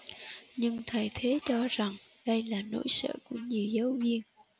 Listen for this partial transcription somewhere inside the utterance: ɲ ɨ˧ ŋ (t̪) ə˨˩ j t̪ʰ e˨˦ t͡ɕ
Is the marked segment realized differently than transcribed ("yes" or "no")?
yes